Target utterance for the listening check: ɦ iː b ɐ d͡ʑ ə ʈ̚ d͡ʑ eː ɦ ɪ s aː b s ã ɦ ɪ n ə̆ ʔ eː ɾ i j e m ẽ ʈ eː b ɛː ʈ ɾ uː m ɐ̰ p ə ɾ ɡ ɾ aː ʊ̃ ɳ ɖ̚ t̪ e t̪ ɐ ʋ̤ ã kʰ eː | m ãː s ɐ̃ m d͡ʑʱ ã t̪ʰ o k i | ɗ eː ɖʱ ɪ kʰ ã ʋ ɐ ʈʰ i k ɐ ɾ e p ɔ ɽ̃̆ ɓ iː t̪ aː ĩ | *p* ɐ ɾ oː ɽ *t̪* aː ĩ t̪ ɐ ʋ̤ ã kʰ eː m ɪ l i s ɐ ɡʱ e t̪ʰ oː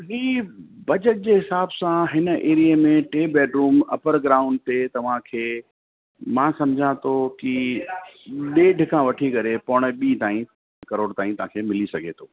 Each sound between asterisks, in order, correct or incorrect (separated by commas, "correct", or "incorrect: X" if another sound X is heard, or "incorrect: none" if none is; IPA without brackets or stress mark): incorrect: k, correct